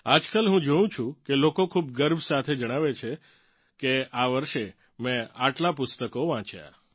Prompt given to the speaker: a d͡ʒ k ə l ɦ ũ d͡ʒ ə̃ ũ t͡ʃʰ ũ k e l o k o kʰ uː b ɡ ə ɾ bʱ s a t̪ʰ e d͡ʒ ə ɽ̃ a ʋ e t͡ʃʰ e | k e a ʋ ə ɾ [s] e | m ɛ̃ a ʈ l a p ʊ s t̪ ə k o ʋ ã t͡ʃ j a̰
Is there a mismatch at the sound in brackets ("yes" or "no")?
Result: yes